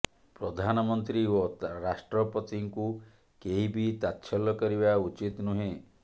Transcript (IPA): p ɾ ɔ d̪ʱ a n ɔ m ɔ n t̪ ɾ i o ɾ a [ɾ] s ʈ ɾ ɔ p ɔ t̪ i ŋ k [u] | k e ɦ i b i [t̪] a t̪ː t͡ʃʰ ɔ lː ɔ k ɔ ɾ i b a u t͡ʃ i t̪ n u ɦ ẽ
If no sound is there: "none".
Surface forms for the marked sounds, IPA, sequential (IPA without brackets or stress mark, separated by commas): none, u, t̪